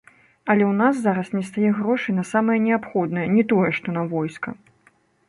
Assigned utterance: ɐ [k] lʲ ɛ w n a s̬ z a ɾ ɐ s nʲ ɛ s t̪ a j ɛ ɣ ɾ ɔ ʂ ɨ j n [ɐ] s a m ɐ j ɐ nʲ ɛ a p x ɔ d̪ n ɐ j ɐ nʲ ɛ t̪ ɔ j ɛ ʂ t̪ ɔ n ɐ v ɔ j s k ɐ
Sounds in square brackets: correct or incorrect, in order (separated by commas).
incorrect, correct